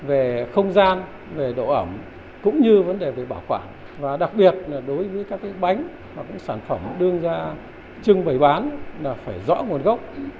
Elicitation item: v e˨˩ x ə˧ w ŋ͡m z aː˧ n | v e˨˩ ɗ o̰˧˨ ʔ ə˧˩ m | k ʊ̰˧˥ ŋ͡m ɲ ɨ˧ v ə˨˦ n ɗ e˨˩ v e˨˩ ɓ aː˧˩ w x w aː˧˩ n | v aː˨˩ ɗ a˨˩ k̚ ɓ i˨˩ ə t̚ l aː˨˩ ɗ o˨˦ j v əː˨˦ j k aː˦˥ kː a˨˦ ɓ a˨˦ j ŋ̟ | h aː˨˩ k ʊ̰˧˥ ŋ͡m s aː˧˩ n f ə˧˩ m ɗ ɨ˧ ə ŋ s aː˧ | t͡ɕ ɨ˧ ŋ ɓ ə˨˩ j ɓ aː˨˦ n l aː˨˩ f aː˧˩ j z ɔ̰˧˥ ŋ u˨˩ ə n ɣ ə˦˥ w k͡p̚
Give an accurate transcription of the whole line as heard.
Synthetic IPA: v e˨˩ x ə˧ w ŋ͡m z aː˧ n | v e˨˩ ɗ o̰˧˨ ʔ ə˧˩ m | k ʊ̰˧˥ ŋ͡m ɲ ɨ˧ v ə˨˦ n ɗ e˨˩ v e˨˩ ɓ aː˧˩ w x w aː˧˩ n | v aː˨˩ ɗ a˨˩ k̚ ɓ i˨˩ ə t̚ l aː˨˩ ɗ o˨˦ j v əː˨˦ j k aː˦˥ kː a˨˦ ɓ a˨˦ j ŋ̟ | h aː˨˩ k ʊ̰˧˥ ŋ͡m s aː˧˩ n f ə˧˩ m ɗ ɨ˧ ə ŋ z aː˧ | t͡ɕ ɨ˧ ŋ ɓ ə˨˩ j ɓ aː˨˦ n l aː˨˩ f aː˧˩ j z ɔ̰˧˥ ŋ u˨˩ ə n ɣ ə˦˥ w k͡p̚

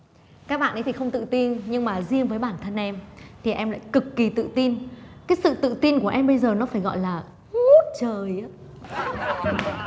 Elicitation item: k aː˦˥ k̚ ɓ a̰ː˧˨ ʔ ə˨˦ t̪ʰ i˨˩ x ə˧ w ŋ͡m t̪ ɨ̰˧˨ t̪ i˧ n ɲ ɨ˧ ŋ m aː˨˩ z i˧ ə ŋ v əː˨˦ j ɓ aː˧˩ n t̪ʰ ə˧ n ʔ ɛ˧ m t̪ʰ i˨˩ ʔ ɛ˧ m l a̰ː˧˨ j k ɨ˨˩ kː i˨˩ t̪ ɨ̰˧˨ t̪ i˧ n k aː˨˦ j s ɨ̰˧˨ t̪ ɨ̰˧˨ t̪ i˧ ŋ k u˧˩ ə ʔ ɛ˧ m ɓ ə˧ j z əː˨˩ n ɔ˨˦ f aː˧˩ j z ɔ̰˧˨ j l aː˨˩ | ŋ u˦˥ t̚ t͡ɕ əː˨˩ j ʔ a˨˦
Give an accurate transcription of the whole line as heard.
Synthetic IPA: k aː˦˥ k̚ ɓ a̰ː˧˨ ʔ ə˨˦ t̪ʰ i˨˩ x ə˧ w ŋ͡m t̪ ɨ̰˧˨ t̪ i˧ n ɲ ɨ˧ ŋ m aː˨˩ z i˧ ə ŋ v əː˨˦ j ɓ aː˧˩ n t̪ʰ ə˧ n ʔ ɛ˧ m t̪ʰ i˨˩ ʔ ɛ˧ m l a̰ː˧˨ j k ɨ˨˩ kː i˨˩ t̪ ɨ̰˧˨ t̪ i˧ n k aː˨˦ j s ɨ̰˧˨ t̪ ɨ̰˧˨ t̪ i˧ n k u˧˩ ə ʔ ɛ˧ m ɓ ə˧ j z əː˨˩ n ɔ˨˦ f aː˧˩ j ɣ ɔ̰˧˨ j l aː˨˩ | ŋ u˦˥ t̚ t͡ɕ əː˨˩ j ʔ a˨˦

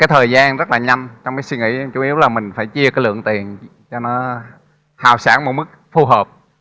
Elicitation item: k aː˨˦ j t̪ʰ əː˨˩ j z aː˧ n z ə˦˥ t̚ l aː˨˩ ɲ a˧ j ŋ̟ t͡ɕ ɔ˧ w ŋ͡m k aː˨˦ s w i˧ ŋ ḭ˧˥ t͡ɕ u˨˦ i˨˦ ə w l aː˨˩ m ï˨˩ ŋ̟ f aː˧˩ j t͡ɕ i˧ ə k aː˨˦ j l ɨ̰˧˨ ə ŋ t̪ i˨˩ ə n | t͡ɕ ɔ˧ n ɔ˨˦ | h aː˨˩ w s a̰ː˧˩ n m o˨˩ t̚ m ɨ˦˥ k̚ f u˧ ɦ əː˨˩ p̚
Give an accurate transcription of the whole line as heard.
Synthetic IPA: k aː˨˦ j t̪ʰ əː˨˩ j z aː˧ n z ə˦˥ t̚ l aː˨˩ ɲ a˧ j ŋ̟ t͡ɕ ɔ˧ w ŋ͡m k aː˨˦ s w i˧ ŋ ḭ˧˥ t͡ɕ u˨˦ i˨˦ ə w l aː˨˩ m ï˨˩ ŋ̟ f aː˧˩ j t͡ɕ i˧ ə k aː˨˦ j l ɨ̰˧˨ ə ŋ t̪ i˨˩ ə n | t͡ɕ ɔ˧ n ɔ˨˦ | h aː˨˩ w s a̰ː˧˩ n m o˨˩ t̚ m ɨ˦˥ k̚ f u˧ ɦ əː˨˩ p̚

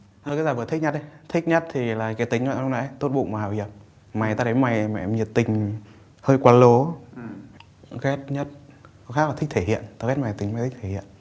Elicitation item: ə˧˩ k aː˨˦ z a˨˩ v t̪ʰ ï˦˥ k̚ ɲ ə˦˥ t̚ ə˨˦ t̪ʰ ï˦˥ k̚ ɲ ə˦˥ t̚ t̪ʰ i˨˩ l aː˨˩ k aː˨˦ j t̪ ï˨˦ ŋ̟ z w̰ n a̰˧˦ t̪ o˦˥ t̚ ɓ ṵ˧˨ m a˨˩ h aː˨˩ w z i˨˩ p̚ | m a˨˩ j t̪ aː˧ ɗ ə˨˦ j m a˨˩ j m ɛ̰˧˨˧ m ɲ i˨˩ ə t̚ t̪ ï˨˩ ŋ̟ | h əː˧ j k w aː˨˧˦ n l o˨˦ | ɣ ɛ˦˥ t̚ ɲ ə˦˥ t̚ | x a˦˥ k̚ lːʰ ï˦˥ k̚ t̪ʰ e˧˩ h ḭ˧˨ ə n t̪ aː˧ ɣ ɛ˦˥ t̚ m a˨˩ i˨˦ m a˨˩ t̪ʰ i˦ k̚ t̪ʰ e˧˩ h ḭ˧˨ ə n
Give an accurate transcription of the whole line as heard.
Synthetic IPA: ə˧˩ k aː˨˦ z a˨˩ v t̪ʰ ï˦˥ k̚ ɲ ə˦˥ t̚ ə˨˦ t̪ʰ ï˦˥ k̚ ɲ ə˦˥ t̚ t̪ʰ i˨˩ l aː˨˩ k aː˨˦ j t̪ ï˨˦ ŋ̟ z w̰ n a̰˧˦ t̪ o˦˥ t̚ ɓ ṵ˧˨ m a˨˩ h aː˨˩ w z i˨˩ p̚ | m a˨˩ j t̪ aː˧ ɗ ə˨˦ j m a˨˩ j m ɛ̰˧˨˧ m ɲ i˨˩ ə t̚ t̪ ï˨˩ ŋ̟ | h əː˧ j k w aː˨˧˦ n l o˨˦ | ɣ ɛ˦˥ t̚ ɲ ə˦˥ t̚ | x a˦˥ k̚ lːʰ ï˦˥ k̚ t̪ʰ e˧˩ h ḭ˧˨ ə n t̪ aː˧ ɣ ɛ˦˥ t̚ m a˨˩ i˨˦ m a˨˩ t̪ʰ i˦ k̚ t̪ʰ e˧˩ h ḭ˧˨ ə n

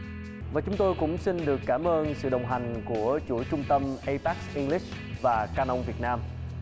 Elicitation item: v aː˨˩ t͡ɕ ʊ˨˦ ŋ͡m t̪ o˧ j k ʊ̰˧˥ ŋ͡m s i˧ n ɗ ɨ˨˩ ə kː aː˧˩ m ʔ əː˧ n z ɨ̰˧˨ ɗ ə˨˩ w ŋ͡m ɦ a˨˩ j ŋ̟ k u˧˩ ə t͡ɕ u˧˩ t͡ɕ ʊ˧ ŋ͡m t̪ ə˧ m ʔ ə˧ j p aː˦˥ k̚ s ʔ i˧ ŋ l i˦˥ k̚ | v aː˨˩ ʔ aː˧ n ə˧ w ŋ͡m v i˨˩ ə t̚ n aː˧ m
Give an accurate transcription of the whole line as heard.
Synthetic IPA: v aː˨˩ t͡ɕ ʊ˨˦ ŋ͡m t̪ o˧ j k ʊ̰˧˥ ŋ͡m s i˧ n ɗ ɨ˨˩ ə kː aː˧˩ m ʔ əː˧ n s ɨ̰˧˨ ɗ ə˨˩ w ŋ͡m ɦ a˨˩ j ŋ̟ k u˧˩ ə t͡ɕ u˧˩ t͡ɕ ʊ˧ ŋ͡m t̪ ə˧ m ʔ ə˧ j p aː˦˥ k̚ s ʔ i˧ ŋ l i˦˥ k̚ | v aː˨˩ k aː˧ n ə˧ w ŋ͡m v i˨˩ ə t̚ n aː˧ m

